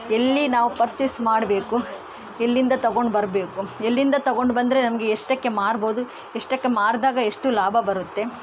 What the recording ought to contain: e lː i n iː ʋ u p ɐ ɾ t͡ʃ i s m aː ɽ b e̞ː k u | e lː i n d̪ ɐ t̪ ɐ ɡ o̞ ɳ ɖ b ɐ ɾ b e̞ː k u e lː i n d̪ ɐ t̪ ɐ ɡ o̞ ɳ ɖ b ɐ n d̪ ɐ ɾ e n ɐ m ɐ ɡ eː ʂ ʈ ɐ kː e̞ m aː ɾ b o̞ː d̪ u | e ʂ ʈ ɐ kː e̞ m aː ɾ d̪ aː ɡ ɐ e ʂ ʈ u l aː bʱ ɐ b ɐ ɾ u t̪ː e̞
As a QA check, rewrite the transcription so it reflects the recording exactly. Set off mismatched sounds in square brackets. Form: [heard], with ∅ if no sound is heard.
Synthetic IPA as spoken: e lː i n [aː] ʋ u p ɐ ɾ t͡ʃ i s m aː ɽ b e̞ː k u | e lː i n d̪ ɐ t̪ ɐ ɡ o̞ ɳ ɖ b ɐ ɾ b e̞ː k u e lː i n d̪ ɐ t̪ ɐ ɡ o̞ ɳ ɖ b ɐ n d̪ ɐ ɾ e n ɐ m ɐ ɡ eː ʂ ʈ ɐ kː e̞ m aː ɾ b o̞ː d̪ u | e ʂ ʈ ɐ kː e̞ m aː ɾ d̪ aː ɡ ɐ e ʂ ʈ u l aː bʱ ɐ b ɐ ɾ u t̪ː e̞